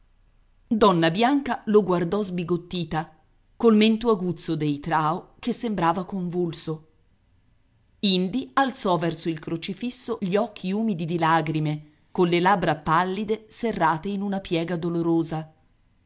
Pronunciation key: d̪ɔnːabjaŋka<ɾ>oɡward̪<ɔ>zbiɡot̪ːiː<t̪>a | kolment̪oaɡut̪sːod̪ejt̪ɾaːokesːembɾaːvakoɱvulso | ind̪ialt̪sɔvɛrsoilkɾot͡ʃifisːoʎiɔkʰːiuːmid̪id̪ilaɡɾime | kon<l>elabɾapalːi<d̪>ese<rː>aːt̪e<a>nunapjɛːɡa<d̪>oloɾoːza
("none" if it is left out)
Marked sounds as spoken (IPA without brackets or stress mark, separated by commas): l, ɔ, t̪, l, d̪, rː, i, d̪